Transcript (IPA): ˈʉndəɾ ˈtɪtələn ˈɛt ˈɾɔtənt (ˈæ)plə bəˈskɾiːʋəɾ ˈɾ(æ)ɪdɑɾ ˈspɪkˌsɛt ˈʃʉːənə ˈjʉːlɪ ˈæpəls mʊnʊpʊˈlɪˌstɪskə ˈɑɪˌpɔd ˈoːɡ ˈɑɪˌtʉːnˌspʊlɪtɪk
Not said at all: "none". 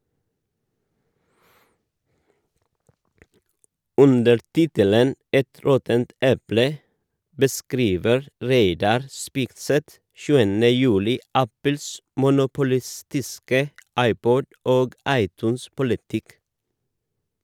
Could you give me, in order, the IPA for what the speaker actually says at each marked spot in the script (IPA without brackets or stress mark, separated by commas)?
ɛ, e